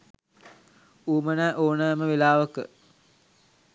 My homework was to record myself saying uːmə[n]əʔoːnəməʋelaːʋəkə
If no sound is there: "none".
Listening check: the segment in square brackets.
n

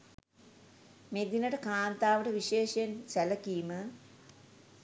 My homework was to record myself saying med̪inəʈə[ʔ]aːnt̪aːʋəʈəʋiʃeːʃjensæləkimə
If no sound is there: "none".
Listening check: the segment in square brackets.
k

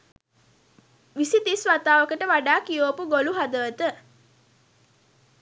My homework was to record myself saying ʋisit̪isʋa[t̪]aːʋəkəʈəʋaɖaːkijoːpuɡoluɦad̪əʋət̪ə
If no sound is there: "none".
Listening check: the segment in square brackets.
t̪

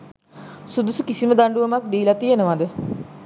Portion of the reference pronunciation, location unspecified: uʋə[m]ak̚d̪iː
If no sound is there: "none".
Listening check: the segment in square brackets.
m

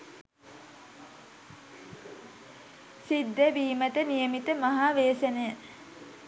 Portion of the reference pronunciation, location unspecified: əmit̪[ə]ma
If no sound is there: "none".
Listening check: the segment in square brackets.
ə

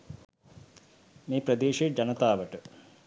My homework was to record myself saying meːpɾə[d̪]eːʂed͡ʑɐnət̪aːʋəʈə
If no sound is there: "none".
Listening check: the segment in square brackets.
d̪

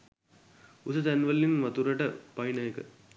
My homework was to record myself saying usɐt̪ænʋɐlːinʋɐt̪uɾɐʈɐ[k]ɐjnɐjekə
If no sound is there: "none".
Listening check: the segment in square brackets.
p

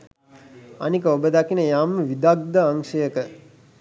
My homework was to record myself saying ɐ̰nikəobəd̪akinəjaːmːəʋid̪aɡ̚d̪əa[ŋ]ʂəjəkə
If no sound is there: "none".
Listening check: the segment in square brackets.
ŋ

